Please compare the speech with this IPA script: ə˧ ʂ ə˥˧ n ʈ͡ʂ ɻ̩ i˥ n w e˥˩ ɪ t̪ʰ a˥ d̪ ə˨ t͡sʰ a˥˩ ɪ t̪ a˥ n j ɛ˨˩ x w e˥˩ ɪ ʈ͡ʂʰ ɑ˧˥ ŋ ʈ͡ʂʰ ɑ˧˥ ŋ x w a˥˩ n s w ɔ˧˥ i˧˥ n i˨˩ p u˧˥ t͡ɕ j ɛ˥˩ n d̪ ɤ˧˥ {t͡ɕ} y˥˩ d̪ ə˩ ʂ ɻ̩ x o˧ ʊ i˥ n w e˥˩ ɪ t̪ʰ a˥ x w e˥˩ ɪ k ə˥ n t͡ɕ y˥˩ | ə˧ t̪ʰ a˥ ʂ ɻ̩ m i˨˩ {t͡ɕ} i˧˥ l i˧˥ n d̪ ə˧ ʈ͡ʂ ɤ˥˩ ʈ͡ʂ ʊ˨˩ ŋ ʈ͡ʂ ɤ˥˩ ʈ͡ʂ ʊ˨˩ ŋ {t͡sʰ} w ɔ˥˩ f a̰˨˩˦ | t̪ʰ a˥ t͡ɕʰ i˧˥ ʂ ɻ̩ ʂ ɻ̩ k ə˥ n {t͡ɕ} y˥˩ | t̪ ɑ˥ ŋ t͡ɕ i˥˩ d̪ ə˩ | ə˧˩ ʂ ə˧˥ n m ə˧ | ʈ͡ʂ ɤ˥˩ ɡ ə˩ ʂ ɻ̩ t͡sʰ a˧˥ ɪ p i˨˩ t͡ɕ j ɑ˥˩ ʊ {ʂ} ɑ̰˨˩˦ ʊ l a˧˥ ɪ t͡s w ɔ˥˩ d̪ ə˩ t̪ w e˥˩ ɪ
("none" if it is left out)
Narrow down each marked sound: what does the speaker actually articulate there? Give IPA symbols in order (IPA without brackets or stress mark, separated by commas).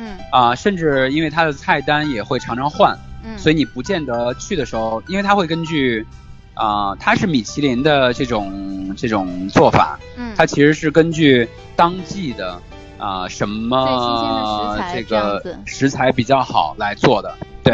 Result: t͡ɕʰ, t͡ɕʰ, t͡s, t͡ɕ, x